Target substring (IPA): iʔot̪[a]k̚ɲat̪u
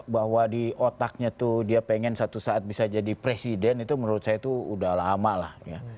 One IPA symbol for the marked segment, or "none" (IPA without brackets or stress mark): a